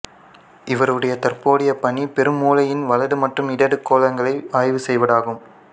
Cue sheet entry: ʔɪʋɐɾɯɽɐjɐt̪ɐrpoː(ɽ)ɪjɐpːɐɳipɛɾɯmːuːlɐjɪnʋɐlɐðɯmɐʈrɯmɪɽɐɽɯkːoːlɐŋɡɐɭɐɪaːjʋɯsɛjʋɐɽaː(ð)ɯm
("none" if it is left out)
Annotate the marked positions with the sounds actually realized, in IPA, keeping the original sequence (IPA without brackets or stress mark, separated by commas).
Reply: ɽ, ɣ